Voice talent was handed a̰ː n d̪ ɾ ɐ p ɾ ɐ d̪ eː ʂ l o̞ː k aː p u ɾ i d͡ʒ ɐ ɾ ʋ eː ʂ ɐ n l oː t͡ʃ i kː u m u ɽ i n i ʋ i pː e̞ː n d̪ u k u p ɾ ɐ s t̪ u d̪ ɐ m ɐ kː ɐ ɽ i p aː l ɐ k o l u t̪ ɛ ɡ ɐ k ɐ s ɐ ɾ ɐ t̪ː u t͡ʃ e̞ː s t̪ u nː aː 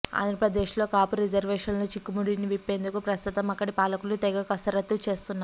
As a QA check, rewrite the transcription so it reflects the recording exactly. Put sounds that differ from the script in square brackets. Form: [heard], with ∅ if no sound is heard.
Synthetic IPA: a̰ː n d̪ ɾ ɐ p ɾ ɐ d̪ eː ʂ l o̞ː k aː p u ɾ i d͡ʒ ɐ ɾ ʋ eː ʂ ɐ n l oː t͡ʃ i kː u m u ɽ i n i ʋ i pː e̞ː n d̪ u k u p ɾ ɐ s t̪ u [t̪] ɐ m ɐ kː ɐ ɽ i p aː l ɐ k [u] l u t̪ ɛ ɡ ɐ k ɐ s ɐ ɾ ɐ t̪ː u t͡ʃ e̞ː s t̪ u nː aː